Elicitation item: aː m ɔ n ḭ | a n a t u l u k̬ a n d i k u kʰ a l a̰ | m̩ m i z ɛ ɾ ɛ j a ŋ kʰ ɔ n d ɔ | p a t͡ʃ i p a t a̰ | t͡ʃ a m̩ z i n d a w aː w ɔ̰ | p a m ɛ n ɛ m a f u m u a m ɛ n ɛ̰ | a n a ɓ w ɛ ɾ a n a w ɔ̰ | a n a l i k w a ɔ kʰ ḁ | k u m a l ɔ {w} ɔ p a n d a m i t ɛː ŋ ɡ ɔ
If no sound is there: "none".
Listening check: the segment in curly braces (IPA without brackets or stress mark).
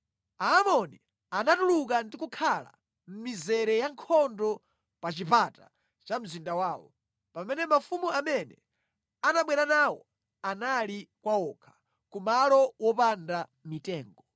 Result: w